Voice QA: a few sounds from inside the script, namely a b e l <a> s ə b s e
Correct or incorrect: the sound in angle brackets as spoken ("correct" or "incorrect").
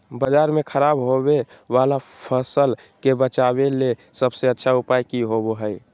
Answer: incorrect